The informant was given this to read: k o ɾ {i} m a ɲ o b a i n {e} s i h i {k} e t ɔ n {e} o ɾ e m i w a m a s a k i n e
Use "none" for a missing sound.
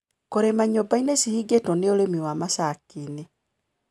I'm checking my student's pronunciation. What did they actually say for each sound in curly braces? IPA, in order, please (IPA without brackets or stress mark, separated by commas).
e, e, ɡ, e